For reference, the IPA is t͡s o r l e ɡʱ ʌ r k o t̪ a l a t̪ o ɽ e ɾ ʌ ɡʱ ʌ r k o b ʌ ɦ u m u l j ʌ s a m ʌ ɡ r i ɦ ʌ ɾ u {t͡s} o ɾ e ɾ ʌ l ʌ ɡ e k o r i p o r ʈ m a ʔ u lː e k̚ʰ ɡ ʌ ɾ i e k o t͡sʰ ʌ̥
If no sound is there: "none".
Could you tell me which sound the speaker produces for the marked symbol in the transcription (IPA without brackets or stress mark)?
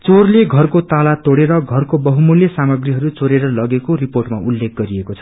t͡s